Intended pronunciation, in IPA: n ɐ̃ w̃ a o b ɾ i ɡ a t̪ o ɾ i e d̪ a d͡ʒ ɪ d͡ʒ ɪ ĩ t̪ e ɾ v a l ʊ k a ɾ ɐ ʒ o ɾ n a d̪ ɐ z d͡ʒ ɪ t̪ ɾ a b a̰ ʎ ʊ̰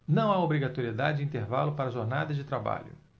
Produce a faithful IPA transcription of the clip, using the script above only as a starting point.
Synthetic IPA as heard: n ɐ̃ w̃ a o b ɾ i ɡ a t̪ o ɾ i e d̪ a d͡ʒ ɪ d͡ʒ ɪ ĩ t̪ e ɾ v a l ʊ p a ɾ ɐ ʒ o ɾ n a d̪ ɐ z d͡ʒ ɪ t̪ ɾ a b a̰ ʎ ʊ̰